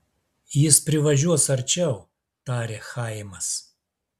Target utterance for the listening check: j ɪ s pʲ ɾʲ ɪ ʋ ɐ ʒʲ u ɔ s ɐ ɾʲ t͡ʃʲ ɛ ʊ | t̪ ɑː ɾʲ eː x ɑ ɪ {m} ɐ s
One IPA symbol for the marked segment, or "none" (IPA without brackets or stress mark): m